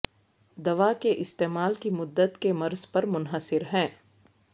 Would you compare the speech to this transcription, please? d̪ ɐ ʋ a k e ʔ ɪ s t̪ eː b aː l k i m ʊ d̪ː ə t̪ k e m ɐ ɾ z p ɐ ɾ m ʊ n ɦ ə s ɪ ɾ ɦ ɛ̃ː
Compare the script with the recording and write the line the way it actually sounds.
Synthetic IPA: d̪ ɐ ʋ a k e ʔ ɪ s t̪ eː m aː l k i m ʊ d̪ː ə t̪ k e m ɐ ɾ z p ɐ ɾ m ʊ n ɦ ə s ɪ ɾ ɦ ɛ̃ː